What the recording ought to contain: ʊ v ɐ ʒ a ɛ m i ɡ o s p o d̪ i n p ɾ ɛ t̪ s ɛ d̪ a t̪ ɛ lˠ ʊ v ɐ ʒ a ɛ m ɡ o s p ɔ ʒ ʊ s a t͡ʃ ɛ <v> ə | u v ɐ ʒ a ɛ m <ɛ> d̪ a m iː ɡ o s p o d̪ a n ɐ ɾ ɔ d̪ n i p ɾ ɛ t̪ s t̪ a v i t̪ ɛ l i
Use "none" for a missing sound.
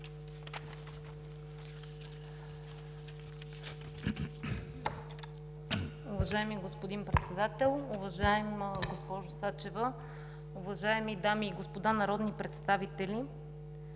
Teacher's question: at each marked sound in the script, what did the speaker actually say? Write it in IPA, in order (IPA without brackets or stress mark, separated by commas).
v, i